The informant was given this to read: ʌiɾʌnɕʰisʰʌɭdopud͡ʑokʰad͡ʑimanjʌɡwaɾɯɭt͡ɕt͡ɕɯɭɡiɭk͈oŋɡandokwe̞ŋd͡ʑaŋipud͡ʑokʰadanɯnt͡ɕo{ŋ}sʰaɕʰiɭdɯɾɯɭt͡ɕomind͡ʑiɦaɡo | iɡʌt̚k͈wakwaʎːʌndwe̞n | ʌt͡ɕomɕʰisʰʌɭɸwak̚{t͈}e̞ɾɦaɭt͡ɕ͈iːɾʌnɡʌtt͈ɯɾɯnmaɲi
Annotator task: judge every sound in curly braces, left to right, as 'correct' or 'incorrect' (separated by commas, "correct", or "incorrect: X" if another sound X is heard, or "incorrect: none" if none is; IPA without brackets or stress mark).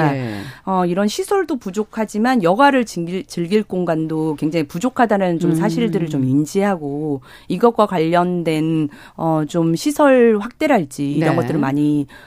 incorrect: m, correct